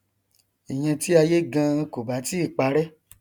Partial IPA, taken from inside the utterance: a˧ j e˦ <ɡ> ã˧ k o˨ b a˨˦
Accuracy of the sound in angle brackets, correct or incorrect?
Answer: correct